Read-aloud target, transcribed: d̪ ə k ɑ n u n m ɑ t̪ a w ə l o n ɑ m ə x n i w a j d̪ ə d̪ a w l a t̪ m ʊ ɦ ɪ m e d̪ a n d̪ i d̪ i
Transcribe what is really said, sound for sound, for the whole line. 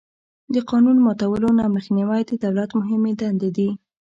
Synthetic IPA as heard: d̪ ə q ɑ n u n m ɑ t̪ a w ə l o n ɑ m ə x n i w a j d̪ ə d̪ a w l a t̪ m ʊ ɦ ɪ m e d̪ a n d̪ e d̪ i